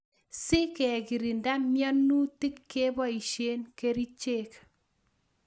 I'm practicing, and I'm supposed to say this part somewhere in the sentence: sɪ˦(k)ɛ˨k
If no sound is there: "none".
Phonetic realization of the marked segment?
k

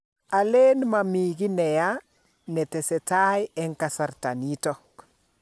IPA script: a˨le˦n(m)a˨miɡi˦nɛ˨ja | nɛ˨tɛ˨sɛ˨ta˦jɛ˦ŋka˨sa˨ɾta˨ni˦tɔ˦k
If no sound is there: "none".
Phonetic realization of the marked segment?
m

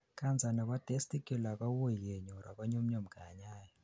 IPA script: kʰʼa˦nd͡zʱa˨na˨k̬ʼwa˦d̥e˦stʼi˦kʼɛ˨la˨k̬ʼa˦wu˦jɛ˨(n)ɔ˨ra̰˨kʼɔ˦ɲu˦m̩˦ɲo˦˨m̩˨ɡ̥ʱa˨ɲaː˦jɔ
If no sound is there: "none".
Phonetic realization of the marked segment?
ɲ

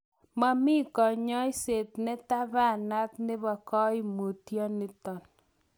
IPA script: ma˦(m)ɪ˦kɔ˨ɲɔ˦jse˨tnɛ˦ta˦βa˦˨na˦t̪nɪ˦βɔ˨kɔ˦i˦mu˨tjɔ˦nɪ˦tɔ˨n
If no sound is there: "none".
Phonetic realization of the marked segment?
m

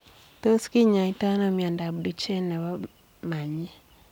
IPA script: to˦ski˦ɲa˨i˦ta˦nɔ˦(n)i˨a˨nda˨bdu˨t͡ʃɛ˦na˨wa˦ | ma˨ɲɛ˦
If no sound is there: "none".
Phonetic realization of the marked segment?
m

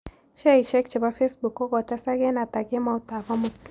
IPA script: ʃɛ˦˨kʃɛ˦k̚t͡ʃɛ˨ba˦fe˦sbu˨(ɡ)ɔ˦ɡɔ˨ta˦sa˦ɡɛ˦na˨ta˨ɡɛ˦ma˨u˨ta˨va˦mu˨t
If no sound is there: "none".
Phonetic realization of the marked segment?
k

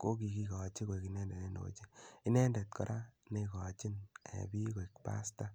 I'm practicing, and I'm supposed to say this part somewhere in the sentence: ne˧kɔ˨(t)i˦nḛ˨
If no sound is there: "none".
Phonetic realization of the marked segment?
t͡ʃ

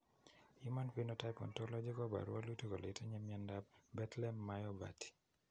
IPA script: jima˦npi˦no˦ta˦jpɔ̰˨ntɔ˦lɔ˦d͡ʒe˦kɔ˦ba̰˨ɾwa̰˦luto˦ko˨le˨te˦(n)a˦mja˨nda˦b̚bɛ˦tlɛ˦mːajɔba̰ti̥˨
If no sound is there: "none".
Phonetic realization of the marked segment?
ɲ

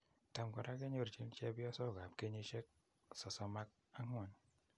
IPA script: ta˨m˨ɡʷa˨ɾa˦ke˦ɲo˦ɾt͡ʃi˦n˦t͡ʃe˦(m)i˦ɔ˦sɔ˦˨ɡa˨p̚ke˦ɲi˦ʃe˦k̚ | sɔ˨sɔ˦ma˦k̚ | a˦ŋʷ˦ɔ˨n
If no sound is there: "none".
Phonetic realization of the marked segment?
b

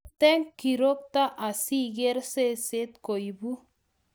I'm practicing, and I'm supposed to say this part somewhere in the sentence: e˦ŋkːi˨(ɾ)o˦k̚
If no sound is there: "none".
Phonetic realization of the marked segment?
ɾ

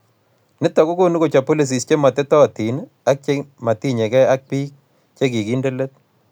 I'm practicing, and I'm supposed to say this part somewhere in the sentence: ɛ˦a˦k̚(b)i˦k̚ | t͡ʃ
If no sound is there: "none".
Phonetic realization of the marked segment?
p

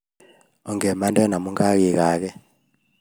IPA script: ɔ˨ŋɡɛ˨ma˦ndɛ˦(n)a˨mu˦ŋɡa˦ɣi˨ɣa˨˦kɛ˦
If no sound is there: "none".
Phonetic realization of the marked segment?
n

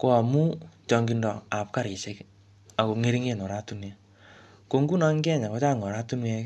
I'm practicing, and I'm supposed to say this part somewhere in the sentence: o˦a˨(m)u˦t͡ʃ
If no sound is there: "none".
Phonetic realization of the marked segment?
m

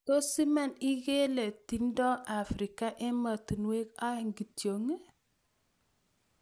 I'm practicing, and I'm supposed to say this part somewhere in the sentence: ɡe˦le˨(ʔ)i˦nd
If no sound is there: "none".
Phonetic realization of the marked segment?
t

